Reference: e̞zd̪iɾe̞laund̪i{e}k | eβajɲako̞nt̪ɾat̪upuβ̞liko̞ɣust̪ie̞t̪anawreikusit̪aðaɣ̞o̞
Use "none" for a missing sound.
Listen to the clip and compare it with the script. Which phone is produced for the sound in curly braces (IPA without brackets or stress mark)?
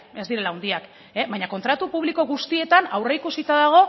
a